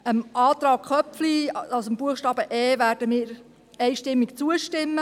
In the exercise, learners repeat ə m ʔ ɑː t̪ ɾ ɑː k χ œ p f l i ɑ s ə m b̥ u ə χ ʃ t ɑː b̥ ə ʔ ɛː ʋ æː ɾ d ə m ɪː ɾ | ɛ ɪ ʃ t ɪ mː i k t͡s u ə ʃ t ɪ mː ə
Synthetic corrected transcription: ə m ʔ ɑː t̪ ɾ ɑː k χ œ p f l i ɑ s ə m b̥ u ə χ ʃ t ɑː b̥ ə ʔ ɛː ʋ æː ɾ d ə m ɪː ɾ | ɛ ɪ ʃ t ɪ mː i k t͡s u ə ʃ t ɪ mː ə

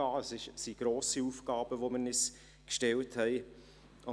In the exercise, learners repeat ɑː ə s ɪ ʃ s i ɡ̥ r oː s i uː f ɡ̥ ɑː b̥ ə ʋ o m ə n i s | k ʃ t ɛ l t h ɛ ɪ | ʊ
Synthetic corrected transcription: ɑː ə s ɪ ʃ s i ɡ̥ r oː s i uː f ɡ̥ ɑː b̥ ə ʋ o m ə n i s | k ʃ t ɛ l t h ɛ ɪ | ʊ

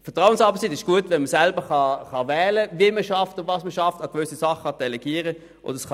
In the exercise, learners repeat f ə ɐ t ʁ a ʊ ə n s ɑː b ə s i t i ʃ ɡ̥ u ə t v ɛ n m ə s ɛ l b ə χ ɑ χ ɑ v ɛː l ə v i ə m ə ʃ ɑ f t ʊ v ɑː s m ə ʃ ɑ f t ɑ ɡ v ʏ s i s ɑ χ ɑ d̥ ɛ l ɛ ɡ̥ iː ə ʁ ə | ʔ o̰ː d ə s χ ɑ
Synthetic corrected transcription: f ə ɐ t ʁ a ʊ ə n s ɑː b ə s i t ɪ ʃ ɡ̥ u ə t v ɛ n m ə s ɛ l b ə χ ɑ χ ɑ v ɛː l ə v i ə m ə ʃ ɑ f t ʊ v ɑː s m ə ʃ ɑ f t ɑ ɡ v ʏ s i s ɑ χ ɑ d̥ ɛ l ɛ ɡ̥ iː ə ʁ ə | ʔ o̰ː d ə s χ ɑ

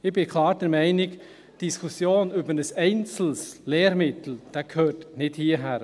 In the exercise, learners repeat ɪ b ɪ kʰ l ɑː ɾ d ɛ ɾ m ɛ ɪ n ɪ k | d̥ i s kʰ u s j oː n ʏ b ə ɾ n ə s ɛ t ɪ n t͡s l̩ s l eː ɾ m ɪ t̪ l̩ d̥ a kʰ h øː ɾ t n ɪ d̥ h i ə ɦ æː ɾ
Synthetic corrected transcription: ɪ b ɪ kʰ l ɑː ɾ d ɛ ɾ m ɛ ɪ n ɪ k | d̥ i s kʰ u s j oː n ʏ b ə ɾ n ə s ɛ ɪ n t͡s l̩ s l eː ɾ m ɪ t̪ l̩ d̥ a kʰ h øː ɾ t n ɪ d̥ h i ə ɦ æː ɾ

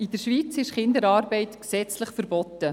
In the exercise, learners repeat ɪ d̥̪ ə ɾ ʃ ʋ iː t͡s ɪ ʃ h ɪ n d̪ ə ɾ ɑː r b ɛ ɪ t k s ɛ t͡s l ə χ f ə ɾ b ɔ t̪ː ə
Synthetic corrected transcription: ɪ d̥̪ ə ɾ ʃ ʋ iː t͡s ɪ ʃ χ ɪ n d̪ ə ɾ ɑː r b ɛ ɪ t k s ɛ t͡s l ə χ f ə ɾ b ɔ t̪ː ə

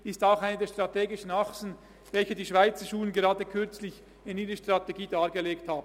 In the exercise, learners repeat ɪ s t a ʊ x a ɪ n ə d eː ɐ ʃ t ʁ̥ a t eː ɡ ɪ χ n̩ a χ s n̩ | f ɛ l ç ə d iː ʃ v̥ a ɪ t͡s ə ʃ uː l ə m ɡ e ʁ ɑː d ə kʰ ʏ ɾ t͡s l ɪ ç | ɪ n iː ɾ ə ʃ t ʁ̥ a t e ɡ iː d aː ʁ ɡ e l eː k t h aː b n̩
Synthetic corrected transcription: ɪ s t a ʊ x a ɪ n ə d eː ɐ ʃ t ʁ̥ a t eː ɡ ɪ ʃ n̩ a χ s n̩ | v ɛ l ç ə d iː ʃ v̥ a ɪ t͡s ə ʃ uː l ə n ɡ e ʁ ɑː d ə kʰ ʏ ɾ t͡s l ɪ ç | ɪ n iː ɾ ə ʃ t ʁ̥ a t e ɡ iː d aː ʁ ɡ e l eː k t h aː b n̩

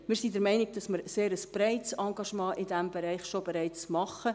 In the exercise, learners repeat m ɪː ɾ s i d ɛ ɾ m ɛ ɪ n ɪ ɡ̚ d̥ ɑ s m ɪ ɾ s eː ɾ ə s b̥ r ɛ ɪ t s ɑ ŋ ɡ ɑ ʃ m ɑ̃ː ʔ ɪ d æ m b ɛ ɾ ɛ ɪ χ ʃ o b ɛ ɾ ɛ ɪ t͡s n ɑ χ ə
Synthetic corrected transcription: m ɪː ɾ s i d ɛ ɾ m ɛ ɪ n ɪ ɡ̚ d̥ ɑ s m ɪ ɾ s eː ɾ ə s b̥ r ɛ ɪ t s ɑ ŋ ɡ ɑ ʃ m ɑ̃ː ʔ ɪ d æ m b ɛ ɾ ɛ ɪ χ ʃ o b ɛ ɾ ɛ ɪ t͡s m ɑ χ ə

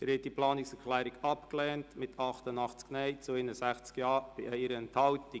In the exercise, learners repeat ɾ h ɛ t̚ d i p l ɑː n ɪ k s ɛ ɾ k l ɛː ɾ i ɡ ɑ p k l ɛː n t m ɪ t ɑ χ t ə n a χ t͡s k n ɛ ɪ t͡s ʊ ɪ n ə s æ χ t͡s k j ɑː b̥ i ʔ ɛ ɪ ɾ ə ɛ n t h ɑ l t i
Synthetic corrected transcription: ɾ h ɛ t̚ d i p l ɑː n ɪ k s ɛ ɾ k l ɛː ɾ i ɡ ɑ p k l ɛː n t m ɪ t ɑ χ t ə n ɑ χ t͡s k n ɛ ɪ t͡s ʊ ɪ n ə s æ χ t͡s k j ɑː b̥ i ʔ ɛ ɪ ɾ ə ɛ n t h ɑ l t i

